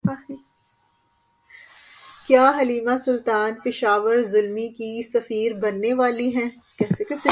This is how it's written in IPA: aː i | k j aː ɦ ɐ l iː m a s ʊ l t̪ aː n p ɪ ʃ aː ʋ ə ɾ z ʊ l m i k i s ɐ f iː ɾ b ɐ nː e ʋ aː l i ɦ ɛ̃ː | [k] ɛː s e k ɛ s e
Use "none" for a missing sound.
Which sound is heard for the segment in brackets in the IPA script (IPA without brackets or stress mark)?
k